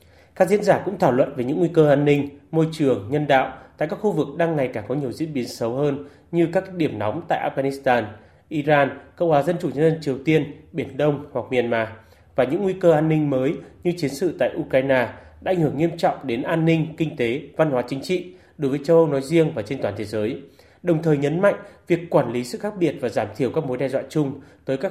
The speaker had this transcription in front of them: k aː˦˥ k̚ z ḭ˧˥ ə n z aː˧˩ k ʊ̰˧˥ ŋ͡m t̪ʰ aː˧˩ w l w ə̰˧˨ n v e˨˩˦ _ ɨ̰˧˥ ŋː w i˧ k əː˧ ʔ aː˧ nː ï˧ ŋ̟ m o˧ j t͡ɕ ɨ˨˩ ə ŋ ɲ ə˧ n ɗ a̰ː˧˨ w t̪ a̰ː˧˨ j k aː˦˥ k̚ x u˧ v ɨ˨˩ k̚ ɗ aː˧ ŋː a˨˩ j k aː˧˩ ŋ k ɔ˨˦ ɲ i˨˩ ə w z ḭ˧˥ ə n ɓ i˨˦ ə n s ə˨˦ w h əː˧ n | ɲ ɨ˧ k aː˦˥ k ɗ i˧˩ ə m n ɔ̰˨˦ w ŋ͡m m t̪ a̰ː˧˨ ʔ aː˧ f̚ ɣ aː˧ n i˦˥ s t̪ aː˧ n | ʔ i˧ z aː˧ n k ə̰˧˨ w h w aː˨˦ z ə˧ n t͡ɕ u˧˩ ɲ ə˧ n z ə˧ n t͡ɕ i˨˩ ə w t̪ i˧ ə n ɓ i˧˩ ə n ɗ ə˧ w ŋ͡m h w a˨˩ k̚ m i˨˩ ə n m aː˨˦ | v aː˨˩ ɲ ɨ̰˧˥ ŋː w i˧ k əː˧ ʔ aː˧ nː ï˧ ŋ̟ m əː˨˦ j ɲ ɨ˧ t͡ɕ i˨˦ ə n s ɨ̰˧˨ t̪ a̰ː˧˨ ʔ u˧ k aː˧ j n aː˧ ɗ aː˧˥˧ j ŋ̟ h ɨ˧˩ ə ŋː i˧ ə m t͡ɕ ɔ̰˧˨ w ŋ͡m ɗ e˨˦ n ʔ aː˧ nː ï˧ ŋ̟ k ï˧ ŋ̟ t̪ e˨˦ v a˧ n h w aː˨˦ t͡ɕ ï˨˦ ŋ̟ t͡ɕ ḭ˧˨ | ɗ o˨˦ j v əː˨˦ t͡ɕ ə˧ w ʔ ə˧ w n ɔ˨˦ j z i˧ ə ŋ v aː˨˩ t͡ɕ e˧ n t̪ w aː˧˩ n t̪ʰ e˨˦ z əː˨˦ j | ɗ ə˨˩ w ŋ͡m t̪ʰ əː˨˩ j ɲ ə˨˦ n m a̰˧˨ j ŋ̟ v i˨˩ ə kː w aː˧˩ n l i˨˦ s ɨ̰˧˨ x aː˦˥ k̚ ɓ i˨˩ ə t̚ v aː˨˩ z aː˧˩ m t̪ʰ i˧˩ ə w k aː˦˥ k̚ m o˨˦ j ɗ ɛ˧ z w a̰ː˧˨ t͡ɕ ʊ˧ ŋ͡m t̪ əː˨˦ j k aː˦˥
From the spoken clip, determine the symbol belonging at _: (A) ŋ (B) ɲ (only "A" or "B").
B